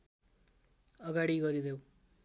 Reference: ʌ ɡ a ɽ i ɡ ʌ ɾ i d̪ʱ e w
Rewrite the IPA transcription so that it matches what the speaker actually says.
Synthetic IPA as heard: ʌ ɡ a ɽ i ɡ ʌ ɾ i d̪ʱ e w